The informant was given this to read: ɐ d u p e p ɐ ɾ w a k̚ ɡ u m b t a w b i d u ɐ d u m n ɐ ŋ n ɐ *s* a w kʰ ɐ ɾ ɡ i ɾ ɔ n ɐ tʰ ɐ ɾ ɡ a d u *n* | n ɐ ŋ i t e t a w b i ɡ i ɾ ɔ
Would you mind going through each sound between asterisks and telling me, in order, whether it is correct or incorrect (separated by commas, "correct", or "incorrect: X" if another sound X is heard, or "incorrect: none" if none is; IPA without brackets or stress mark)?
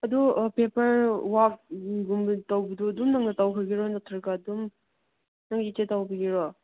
incorrect: t, incorrect: m